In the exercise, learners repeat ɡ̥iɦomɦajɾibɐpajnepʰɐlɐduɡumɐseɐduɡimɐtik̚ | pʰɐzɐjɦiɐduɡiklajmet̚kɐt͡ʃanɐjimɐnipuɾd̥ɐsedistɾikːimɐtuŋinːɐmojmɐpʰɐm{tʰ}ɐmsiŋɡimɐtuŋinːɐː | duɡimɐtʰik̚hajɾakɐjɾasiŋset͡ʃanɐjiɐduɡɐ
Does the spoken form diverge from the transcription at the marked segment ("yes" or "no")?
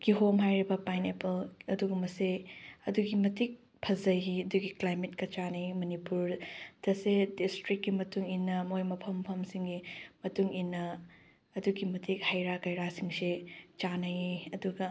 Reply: yes